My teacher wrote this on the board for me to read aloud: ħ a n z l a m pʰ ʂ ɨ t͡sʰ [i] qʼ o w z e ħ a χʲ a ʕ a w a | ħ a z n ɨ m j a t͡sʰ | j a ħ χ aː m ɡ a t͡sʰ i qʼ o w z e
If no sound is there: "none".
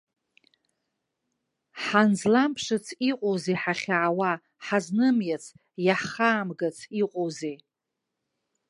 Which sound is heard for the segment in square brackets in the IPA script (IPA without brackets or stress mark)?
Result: i